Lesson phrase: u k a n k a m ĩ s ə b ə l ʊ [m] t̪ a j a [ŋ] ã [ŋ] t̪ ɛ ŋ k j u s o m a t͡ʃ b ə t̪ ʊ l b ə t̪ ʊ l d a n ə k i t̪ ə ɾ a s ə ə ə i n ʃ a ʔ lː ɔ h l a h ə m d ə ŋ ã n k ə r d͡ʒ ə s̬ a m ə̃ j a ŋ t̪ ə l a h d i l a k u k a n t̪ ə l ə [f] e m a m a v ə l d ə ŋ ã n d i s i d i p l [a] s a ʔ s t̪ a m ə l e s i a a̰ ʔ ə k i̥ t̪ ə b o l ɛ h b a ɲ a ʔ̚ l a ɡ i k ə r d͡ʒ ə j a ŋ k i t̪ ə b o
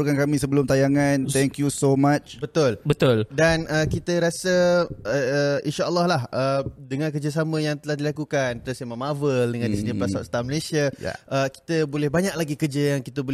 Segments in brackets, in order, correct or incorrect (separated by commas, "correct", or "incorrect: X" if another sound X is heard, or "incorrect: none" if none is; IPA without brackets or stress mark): correct, correct, incorrect: n, incorrect: s, correct